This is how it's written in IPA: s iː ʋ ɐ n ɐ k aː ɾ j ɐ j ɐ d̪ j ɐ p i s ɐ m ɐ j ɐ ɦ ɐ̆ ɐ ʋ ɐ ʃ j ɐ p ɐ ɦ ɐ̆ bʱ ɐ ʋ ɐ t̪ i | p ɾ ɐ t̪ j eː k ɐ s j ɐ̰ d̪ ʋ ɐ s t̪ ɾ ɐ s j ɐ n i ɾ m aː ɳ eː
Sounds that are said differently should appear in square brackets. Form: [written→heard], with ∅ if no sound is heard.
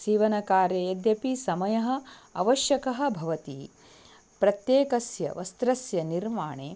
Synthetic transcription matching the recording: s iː ʋ ɐ n ɐ k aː ɾ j ɐ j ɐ d̪ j ɐ p i s ɐ m ɐ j ɐ ɦ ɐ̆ ɐ ʋ ɐ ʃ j ɐ [p→k] ɐ ɦ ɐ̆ bʱ ɐ ʋ ɐ t̪ i | p ɾ ɐ t̪ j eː k ɐ s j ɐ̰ [d̪→∅] ʋ ɐ s t̪ ɾ ɐ s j ɐ n i ɾ m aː ɳ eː